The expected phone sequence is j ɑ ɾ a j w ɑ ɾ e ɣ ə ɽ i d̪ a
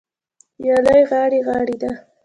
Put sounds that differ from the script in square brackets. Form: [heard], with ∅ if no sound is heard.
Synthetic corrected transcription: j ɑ [l] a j [ɣ] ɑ [ɽ] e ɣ [ɑ] ɽ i d̪ a